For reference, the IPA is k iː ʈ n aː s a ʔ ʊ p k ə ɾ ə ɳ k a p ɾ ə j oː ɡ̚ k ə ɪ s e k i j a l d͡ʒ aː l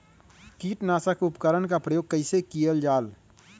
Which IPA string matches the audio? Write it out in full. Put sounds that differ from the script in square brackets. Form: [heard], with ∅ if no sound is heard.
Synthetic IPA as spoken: k iː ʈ n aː s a [k] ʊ p k ə ɾ ə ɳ k a p ɾ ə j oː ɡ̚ k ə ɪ s e k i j [ə] l d͡ʒ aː l